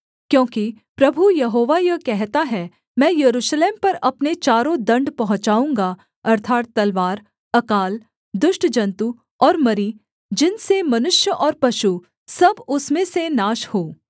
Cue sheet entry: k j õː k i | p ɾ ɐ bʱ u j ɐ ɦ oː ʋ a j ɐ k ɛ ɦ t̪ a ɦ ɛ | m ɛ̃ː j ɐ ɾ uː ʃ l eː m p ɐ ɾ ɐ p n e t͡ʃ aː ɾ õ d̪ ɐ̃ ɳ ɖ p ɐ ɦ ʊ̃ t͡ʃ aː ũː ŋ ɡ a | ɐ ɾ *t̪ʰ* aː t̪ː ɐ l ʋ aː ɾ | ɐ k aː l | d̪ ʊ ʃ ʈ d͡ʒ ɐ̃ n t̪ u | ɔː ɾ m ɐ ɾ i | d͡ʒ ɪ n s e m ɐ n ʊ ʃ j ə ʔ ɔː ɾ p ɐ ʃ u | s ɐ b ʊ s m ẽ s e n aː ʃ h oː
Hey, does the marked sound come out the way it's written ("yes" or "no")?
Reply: yes